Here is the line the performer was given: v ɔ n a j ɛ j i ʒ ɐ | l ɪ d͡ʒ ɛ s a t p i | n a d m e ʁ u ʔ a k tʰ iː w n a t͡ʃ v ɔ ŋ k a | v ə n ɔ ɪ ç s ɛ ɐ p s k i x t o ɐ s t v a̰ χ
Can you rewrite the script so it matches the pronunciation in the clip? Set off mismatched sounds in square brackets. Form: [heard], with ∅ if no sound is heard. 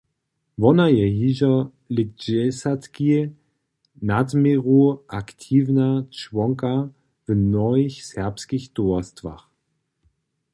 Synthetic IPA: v ɔ n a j ɛ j i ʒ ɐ | l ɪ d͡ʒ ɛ s a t [k] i | n a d m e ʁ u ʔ a k tʰ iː [v] n a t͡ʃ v ɔ ŋ k a | v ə n ɔ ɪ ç s ɛ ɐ p s k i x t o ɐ s t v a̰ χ